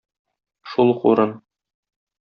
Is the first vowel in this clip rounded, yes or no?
yes